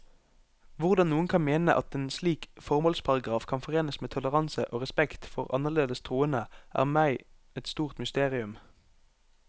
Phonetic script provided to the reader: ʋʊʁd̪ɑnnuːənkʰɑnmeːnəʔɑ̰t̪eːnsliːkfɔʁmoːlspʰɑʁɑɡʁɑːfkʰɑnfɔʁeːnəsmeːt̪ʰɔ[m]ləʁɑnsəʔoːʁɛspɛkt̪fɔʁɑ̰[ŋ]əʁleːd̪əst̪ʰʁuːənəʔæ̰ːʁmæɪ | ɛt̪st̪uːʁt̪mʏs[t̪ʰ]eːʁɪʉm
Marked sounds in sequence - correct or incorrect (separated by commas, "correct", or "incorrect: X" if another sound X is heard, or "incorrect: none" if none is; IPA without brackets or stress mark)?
incorrect: none, incorrect: n, incorrect: t̪